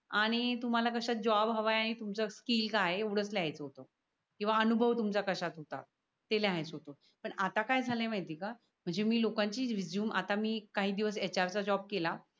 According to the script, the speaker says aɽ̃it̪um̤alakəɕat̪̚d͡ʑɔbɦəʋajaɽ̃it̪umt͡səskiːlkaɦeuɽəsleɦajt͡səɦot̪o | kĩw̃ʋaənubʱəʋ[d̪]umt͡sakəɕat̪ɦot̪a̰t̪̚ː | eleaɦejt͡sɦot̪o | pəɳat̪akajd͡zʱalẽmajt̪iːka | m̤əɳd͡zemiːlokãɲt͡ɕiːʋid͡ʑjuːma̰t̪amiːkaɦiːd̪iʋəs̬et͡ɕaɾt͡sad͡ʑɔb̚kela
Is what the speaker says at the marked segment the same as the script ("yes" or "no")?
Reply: no